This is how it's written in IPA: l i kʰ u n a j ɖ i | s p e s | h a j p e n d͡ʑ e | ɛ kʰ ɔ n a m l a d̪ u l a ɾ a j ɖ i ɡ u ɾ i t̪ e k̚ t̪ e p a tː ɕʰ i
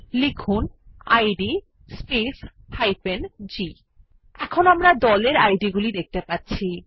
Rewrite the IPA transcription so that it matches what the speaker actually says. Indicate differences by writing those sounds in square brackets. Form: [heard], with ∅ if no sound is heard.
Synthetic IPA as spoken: l i kʰ u n a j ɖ i | s p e s | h a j p e n d͡ʑ [i] | ɛ kʰ [o] n a m [ɾ] a d̪ [ɔ] l [e] ɾ a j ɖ i ɡ u [l] i [d̪] e k̚ t̪ e p a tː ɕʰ i